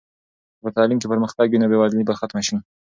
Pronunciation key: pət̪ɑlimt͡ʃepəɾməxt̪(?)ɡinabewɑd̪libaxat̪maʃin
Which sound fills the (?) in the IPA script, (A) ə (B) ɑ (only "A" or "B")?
B